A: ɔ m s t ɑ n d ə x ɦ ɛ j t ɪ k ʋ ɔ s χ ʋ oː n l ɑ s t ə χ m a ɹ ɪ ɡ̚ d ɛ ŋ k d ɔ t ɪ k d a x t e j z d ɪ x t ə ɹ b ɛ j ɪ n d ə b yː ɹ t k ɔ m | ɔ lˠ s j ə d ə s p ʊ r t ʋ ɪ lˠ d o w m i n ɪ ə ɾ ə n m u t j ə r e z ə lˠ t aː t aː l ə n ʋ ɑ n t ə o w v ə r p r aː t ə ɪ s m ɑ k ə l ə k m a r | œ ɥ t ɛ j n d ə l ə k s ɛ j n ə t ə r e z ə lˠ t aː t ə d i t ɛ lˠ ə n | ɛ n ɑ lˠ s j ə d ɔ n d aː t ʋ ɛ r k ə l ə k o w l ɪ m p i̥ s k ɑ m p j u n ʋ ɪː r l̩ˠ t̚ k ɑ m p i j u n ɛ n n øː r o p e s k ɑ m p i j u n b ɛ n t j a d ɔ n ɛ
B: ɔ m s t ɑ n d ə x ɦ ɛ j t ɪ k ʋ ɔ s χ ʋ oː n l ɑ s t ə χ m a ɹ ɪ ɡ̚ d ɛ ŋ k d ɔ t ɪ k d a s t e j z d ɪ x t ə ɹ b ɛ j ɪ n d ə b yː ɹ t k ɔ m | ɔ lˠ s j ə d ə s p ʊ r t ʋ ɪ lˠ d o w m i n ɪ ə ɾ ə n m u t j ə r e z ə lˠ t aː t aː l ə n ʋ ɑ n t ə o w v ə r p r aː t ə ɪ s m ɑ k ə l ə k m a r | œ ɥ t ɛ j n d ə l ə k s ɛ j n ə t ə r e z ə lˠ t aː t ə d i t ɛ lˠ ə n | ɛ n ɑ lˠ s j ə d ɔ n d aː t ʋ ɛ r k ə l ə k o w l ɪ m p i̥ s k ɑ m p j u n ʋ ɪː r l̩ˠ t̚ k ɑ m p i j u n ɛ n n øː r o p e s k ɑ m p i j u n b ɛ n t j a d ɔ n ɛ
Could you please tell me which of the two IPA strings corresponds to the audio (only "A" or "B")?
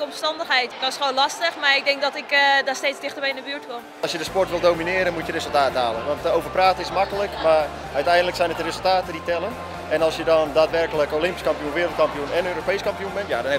B